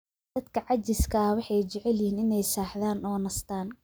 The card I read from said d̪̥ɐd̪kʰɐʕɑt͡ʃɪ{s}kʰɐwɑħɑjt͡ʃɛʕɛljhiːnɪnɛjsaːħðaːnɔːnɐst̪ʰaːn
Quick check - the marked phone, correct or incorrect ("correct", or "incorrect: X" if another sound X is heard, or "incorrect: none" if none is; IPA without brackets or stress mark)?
correct